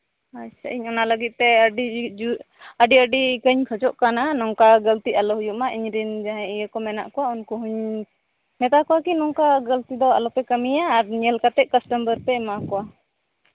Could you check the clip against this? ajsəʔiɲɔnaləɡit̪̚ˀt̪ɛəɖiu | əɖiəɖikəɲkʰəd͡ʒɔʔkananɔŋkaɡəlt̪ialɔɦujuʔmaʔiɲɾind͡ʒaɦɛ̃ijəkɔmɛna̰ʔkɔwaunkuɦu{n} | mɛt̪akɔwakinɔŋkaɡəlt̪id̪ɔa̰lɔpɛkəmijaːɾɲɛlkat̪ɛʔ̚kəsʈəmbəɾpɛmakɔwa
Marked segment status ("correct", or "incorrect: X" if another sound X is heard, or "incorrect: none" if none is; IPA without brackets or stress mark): incorrect: ɲ